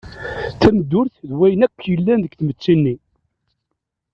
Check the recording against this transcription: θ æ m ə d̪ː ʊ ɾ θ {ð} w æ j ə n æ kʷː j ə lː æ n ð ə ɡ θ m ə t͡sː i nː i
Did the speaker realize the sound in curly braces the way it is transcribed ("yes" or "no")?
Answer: yes